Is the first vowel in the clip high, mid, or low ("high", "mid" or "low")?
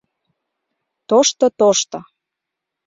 mid